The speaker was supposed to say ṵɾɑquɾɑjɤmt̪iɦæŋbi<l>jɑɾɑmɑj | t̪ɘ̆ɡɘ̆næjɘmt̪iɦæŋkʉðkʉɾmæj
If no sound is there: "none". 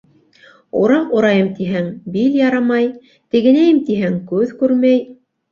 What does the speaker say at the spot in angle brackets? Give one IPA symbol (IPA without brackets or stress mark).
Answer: l